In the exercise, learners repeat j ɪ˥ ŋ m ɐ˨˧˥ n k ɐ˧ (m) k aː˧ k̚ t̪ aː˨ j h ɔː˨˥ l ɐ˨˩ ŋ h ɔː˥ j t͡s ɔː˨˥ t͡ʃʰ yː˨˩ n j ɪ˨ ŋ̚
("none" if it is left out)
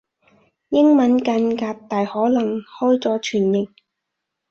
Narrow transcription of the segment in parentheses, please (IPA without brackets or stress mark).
n